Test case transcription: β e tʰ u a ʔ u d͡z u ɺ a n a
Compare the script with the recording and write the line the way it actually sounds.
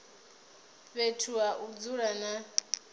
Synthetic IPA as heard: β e tʰ u a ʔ u d͡z u ɺ a n a